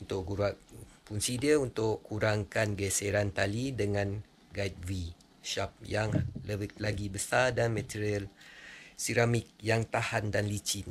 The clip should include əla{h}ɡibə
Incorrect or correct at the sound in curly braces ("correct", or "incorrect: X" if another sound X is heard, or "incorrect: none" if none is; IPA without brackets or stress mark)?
incorrect: none